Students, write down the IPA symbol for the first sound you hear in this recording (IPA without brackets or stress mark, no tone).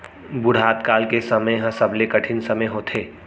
b